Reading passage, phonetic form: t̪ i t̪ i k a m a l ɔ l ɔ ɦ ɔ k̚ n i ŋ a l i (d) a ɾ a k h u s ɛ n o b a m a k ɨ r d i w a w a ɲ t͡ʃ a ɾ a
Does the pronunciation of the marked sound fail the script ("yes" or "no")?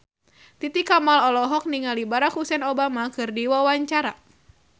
yes